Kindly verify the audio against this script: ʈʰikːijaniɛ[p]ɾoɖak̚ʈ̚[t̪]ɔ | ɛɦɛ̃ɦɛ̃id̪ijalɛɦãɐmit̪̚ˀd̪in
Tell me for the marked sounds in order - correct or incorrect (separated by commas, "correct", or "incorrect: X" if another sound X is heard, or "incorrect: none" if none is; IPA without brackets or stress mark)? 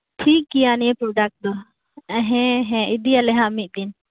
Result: correct, incorrect: d̪